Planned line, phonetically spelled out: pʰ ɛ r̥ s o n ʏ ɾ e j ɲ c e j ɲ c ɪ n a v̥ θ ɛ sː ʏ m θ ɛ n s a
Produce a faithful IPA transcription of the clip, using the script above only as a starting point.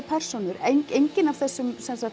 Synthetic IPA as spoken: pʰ ɛ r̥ s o n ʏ ɾ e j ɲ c e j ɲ c ɪ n a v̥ θ ɛ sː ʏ m s ɛ n s a